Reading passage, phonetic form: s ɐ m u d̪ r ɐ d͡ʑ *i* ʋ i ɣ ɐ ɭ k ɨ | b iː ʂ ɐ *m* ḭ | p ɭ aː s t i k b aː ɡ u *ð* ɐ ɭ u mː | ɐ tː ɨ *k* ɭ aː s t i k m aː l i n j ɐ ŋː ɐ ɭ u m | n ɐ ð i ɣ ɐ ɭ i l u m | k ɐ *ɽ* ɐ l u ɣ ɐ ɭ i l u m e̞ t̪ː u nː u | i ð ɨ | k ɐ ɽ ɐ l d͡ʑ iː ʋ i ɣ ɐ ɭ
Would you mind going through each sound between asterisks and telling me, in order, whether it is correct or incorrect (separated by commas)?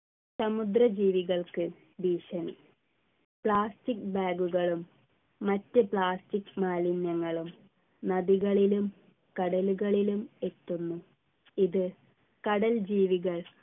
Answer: incorrect, incorrect, incorrect, incorrect, correct